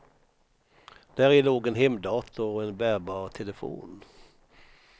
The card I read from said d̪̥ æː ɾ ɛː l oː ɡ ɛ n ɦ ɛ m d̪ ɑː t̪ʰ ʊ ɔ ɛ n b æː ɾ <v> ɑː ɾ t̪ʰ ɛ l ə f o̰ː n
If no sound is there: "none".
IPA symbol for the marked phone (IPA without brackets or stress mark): b